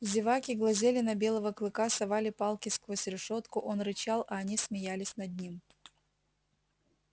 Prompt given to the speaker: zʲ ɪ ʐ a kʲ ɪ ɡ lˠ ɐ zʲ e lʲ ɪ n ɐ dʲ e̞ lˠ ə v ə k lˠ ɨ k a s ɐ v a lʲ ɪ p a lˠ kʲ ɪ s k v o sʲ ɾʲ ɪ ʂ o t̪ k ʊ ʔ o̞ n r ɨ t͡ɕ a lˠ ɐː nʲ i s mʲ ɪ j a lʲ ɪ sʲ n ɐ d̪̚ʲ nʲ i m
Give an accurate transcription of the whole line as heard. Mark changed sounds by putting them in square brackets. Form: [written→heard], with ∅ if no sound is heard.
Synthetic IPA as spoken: zʲ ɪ [ʐ→v] a kʲ ɪ ɡ lˠ ɐ zʲ e lʲ ɪ n ɐ [dʲ→bʲ] e̞ lˠ ə v ə k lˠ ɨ k a s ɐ v a lʲ ɪ p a lˠ kʲ ɪ s k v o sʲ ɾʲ ɪ ʂ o t̪ k ʊ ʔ o̞ n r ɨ t͡ɕ a lˠ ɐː nʲ i s mʲ ɪ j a lʲ ɪ sʲ n ɐ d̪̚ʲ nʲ i m